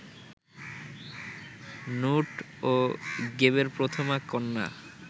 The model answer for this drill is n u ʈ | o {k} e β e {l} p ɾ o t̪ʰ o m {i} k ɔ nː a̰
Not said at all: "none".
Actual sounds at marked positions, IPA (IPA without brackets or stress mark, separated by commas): ɡ, ɾ, a